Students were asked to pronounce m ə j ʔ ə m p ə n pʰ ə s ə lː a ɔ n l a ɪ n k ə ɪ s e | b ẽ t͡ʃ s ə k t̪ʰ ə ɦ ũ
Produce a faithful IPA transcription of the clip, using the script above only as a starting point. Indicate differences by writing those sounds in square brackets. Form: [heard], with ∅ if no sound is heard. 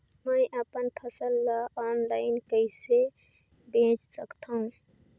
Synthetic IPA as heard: m ə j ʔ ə [∅] p ə n pʰ ə s ə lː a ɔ n l a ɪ n k ə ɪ s e | b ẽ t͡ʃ s ə k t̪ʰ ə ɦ ũ